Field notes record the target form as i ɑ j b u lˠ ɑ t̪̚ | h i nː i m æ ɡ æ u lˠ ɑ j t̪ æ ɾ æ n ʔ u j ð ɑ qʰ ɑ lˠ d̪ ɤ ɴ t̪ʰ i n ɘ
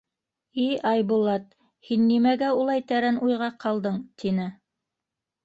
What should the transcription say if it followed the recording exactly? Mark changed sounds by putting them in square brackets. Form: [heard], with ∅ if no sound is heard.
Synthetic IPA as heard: i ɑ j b u lˠ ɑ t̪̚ | h i nː i m æ ɡ æ u lˠ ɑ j t̪ æ ɾ æ n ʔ u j [ʁ] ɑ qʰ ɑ lˠ d̪ ɤ ɴ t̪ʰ i n ɘ